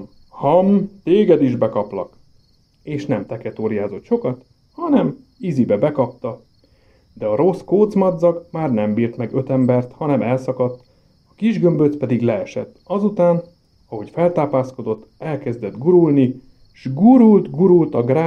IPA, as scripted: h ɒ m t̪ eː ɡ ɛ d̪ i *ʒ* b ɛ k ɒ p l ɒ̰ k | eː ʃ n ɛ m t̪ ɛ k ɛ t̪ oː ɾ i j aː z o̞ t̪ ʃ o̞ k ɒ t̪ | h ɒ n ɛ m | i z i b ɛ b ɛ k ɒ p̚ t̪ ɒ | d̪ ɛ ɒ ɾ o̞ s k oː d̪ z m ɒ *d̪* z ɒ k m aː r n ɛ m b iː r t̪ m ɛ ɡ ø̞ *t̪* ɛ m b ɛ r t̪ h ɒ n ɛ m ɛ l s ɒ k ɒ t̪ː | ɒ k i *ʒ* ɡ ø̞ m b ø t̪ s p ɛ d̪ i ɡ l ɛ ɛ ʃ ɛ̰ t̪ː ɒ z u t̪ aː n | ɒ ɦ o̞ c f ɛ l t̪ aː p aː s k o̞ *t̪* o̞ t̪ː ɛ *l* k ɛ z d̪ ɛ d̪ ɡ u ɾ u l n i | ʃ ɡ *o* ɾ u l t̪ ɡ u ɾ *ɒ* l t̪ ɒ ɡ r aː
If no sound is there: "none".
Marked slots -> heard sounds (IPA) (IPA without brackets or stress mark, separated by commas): ʒ, d̪, t̪, ʒ, d̪, l, u, u